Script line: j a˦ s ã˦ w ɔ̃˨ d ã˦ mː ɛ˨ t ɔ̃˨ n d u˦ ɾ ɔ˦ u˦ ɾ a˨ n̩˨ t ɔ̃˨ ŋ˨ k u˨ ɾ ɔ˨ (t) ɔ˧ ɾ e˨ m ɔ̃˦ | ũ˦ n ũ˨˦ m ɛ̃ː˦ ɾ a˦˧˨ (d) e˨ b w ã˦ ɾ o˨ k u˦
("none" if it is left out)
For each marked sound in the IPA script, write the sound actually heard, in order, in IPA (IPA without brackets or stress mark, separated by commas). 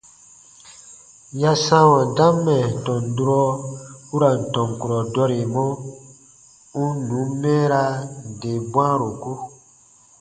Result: d, d